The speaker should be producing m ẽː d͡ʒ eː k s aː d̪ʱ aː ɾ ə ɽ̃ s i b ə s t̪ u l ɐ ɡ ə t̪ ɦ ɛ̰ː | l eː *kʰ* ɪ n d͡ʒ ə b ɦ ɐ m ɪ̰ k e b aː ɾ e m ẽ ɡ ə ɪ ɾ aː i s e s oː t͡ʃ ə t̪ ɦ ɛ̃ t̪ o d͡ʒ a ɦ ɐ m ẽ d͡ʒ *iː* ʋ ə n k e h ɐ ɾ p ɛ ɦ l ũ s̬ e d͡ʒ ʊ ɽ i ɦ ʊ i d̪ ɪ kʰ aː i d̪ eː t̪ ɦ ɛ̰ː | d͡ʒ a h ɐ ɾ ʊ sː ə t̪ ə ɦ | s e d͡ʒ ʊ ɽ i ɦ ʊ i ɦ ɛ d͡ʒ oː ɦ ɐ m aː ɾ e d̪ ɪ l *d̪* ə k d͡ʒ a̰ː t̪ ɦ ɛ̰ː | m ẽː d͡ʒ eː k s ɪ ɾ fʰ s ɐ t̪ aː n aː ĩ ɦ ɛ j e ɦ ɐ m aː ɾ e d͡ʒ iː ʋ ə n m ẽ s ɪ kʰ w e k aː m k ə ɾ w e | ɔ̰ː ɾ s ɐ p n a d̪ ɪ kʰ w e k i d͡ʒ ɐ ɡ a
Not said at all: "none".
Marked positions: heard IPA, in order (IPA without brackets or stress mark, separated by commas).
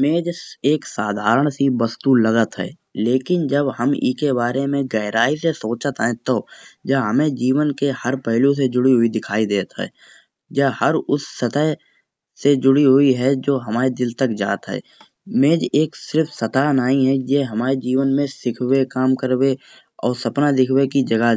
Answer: k, iː, t̪